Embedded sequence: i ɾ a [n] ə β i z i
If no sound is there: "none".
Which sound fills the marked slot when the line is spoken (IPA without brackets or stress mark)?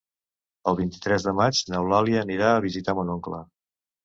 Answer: none